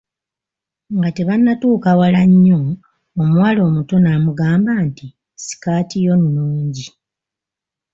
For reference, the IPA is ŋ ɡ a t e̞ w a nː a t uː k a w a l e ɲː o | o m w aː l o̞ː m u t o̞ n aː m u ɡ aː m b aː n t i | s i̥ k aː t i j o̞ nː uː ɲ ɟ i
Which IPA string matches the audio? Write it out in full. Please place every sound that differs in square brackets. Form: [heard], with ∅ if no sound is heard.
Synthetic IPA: ŋ ɡ a t e̞ [β] a nː a t uː k a w a l [a] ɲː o | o m w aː l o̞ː m u t o̞ n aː m u ɡ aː m b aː n t i | s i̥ k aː t i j o̞ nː uː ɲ ɟ i